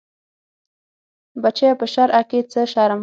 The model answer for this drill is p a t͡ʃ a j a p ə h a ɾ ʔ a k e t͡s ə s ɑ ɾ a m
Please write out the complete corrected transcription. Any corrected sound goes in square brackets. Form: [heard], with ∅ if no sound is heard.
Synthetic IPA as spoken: [b] a t͡ʃ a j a p ə [ʃ] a ɾ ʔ a k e t͡s ə [ʃ] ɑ ɾ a m